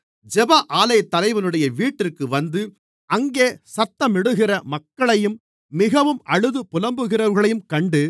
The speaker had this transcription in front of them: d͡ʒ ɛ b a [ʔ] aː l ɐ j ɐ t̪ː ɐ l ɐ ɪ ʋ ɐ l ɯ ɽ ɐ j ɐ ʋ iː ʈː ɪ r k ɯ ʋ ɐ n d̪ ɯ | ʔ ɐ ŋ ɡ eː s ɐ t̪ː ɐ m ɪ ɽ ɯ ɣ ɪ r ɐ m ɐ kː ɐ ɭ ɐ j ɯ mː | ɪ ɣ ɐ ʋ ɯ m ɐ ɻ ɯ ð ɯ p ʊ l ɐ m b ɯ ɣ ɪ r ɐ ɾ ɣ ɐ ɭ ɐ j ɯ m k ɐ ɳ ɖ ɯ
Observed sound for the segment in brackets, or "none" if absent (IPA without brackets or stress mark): ʔ